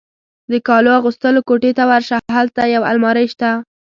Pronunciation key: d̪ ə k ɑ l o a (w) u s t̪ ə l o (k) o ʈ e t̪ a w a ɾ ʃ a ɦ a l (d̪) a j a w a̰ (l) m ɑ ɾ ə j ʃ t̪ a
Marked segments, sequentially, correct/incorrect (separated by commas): incorrect, correct, incorrect, correct